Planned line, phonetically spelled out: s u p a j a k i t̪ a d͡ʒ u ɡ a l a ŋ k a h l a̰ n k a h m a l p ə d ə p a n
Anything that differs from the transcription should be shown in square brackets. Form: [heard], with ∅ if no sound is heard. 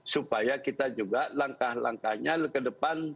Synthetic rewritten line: s u p a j a k i t̪ a d͡ʒ u ɡ a l a ŋ k a h l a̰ [ŋ] k a h [ɲ] a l [k] ə d ə p a n

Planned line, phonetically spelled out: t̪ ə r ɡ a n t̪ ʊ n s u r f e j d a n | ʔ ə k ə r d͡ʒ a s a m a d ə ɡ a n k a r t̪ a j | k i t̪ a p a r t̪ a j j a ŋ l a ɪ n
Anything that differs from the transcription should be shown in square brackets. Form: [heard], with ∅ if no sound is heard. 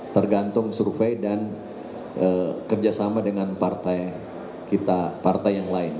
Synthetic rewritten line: t̪ ə r ɡ a n t̪ ʊ [ŋ] s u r f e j d a n | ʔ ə k ə r d͡ʒ a s a m a d ə [ŋ] a n [p] a r t̪ a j | k i t̪ a p a r t̪ a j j a ŋ l a ɪ n

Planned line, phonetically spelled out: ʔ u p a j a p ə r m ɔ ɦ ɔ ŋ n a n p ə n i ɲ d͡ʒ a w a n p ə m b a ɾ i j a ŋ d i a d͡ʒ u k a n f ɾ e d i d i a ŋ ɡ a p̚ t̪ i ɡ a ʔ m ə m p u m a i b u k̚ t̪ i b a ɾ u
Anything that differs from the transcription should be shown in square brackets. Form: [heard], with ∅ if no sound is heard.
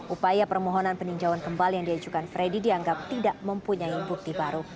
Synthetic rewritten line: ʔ u p a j a p ə r m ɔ ɦ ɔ [∅] n a n p ə n i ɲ d͡ʒ a w a n [k] ə m b a [l] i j a ŋ d i a d͡ʒ u k a n f ɾ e d i d i a ŋ ɡ a p̚ t̪ i [d] a ʔ m ə m p u [ɲ] a i b u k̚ t̪ i b a ɾ u

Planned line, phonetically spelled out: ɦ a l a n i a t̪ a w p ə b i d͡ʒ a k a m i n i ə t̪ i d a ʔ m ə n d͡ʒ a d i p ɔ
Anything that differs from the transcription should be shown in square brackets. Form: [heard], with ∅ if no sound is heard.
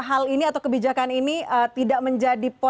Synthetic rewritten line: ɦ a l [i] n i a t̪ a w [k] ə b i d͡ʒ a k a [n] i n i ə t̪ i d a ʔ m ə [ɲ] d͡ʒ a d i p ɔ

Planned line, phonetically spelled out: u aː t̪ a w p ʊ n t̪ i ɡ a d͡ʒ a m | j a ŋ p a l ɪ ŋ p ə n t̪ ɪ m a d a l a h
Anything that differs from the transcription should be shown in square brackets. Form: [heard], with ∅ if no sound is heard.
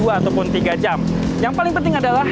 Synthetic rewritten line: u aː t̪ a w p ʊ n t̪ i ɡ a d͡ʒ a m | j a ŋ p a l ɪ ŋ p ə n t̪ ɪ [ŋ] a d a l a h

